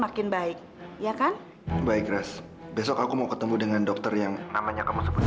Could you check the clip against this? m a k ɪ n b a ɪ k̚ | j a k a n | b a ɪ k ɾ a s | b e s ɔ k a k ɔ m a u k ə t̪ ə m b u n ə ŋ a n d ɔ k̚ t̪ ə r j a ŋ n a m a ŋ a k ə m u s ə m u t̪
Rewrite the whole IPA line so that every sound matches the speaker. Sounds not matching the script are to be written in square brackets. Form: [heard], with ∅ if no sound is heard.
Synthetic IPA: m a k ɪ n b a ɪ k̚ | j a k a n | b a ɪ k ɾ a s | b e s ɔ k a k [u] m a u k ə t̪ ə m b u [d] ə ŋ a n d ɔ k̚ t̪ ə r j a ŋ n a m a [ɲ] a k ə m u s ə [b] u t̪